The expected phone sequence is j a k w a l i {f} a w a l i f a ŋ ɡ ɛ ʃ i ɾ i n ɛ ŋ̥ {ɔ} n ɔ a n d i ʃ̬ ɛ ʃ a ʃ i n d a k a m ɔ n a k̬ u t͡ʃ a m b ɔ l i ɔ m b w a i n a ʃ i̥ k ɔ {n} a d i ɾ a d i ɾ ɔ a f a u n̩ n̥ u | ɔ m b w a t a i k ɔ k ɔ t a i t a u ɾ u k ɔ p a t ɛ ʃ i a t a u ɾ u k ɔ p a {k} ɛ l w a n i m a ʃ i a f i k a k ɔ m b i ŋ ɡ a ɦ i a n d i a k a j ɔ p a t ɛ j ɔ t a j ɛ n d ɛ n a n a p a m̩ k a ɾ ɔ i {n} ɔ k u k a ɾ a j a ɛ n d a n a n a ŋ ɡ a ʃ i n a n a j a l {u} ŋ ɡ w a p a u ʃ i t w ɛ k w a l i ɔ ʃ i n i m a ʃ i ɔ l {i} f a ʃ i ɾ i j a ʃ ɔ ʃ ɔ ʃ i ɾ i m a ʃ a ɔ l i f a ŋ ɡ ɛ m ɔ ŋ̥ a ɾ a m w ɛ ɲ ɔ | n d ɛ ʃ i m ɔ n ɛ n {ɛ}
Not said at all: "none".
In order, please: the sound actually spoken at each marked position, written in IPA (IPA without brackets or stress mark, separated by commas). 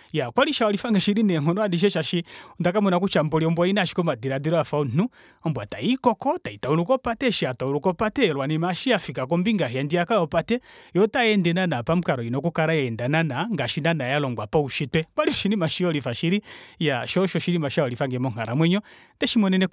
ʃ, ɔ, m, t, n, ɔ, i, ɛ